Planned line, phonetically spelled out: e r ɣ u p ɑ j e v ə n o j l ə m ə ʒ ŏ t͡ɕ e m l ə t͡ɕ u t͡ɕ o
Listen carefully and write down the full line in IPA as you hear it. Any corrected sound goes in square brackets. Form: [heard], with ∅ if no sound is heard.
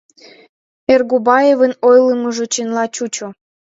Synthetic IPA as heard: e r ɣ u [b] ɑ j e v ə n o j l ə m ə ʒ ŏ t͡ɕ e [n] l [ɑ] t͡ɕ u t͡ɕ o